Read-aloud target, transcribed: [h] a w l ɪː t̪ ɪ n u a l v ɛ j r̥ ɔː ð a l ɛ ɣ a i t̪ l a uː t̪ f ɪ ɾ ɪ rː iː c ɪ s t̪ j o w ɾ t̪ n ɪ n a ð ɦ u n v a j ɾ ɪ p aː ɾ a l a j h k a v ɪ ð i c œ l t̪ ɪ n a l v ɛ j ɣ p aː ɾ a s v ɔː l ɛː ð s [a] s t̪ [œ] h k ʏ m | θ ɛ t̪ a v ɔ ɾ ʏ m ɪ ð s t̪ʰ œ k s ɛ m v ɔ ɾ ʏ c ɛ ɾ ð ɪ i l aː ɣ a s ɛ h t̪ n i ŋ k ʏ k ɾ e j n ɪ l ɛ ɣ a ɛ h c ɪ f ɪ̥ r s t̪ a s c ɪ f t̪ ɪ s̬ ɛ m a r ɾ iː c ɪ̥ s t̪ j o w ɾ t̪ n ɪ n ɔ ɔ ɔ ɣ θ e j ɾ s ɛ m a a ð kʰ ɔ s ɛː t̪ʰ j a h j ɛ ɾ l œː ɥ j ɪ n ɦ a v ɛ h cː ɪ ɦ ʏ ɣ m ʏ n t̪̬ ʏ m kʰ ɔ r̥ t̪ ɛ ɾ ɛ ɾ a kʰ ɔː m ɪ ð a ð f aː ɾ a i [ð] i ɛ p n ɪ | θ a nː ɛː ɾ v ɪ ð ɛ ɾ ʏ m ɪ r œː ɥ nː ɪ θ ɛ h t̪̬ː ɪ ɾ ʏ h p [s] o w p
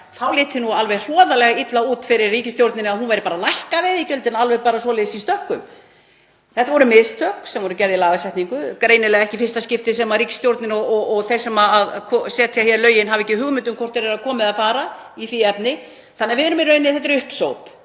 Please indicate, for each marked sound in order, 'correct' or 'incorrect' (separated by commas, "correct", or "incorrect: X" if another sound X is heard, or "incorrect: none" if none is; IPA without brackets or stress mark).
incorrect: θ, incorrect: i, correct, incorrect: θ, correct